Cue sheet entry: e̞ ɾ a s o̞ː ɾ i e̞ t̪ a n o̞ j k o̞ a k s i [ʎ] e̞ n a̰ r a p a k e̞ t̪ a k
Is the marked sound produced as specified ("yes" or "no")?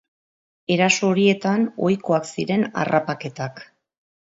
no